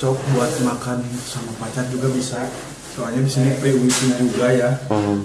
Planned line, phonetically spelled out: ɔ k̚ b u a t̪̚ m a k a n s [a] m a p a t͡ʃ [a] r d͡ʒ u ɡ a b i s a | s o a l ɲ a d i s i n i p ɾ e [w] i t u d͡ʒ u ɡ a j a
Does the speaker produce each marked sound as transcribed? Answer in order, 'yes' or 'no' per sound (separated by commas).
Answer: yes, yes, yes